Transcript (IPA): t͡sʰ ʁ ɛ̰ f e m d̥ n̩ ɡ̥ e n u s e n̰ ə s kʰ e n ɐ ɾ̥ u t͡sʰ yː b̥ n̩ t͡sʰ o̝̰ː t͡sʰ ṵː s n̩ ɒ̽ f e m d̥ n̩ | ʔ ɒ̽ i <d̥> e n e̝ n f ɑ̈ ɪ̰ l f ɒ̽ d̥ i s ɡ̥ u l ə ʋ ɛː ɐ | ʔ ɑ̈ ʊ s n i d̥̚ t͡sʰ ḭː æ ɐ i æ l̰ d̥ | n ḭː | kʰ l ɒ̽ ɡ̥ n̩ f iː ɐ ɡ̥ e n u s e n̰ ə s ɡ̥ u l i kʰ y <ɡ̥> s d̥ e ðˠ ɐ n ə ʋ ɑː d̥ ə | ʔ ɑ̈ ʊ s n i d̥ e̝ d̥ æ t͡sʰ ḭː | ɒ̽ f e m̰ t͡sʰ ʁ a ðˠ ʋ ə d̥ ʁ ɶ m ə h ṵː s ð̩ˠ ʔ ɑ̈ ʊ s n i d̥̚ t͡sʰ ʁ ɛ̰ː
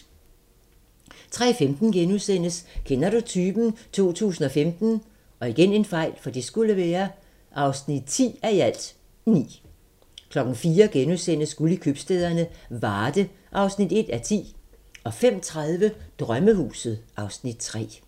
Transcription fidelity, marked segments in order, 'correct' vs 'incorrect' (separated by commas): incorrect, incorrect